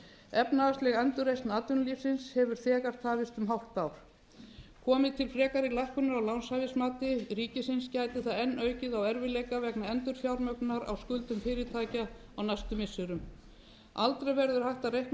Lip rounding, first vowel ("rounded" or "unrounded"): unrounded